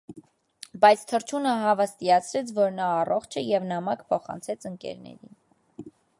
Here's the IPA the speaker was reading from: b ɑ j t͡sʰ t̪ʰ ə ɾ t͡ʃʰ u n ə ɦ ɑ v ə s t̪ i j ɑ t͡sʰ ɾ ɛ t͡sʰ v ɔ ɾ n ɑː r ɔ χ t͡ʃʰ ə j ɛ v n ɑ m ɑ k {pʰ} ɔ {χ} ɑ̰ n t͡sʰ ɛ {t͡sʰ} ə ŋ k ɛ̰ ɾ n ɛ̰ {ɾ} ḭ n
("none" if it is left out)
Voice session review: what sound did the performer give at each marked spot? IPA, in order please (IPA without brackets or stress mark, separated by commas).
pʰ, χ, t͡sʰ, ɾ